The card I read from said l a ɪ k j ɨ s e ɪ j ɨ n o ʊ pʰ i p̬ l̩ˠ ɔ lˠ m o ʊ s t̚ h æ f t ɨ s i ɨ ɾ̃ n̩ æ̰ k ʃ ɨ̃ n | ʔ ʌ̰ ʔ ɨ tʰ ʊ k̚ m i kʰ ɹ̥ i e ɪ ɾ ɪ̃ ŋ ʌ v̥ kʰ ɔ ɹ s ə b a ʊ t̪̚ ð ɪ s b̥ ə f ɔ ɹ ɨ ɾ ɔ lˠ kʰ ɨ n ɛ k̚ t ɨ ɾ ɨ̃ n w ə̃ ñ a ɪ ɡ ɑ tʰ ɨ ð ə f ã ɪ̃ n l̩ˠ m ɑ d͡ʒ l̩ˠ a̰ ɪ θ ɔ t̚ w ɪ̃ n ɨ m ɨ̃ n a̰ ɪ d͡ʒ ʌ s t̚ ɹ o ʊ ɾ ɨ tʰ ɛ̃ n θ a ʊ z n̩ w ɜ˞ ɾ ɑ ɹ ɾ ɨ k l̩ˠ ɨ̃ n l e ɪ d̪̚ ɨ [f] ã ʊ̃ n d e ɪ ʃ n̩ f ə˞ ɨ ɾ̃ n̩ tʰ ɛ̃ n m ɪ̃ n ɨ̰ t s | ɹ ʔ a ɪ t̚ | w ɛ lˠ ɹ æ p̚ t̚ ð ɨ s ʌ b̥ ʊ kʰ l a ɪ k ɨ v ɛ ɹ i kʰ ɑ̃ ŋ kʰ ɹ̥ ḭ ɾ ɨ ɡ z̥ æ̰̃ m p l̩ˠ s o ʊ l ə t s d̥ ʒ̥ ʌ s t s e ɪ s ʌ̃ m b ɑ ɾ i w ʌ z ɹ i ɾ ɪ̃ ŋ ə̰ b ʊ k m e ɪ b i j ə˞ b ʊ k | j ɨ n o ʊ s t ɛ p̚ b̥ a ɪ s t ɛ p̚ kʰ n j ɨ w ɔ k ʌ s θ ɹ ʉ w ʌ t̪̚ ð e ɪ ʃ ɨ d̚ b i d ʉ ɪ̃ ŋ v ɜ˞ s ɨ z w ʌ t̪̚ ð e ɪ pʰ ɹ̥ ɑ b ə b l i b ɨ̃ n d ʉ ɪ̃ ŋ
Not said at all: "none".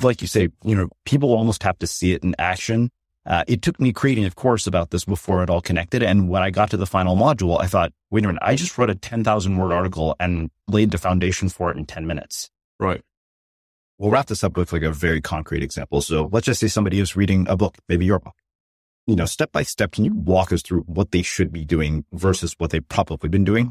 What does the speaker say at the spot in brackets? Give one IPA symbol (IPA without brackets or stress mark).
f